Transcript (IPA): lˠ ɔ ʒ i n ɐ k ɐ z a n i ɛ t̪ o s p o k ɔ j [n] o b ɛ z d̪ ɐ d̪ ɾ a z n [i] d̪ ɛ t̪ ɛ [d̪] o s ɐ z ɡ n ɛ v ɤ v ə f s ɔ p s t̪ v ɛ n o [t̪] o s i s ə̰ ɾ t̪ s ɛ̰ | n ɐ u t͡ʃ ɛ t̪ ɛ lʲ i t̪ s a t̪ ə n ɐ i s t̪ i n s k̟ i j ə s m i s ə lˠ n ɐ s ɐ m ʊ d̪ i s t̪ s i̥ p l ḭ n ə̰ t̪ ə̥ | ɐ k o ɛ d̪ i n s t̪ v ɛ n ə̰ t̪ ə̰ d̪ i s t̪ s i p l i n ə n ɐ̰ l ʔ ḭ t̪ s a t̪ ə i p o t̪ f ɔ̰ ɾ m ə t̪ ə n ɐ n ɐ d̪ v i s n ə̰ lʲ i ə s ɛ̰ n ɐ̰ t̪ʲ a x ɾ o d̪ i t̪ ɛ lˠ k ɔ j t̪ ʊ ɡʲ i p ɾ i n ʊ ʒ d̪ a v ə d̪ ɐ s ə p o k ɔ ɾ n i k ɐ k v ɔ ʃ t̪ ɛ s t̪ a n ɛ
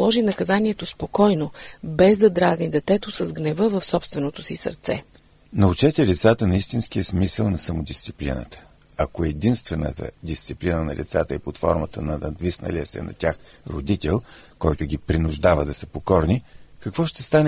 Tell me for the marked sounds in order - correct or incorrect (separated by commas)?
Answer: correct, correct, incorrect, correct